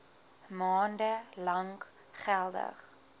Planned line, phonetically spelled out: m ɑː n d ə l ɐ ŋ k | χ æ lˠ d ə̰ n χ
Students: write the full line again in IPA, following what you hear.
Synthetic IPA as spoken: m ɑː n d ə l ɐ ŋ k | χ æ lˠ d ə̰ χ